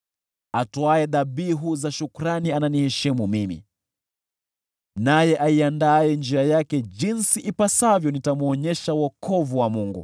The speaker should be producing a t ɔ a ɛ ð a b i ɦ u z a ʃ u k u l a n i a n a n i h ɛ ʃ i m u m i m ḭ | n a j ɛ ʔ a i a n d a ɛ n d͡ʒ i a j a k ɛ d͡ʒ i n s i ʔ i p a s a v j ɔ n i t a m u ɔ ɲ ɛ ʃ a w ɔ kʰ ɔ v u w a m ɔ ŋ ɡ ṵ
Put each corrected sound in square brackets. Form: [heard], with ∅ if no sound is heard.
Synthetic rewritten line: a t ɔ a ɛ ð a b i ɦ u z a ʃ u k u [ɾ] a n i a n a n i h ɛ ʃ i m u m i m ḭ | n a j ɛ ʔ a i a n d a ɛ n d͡ʒ i a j a k ɛ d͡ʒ i n s i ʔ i p a s a v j ɔ n i t a m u ɔ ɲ ɛ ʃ a w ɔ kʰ ɔ v u w a m [u] ŋ ɡ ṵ